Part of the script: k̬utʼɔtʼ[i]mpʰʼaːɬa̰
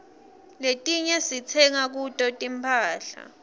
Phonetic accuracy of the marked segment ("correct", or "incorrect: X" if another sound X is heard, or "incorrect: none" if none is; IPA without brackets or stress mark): correct